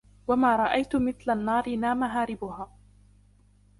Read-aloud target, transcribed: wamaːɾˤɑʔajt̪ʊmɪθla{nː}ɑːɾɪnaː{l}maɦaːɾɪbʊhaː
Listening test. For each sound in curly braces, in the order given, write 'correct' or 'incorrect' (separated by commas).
correct, incorrect